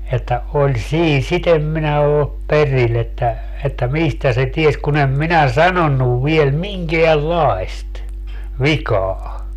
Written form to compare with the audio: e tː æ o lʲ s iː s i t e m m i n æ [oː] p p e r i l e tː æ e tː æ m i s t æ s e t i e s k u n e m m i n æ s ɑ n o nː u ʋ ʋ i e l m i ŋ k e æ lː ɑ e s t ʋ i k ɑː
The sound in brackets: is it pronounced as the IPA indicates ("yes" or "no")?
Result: yes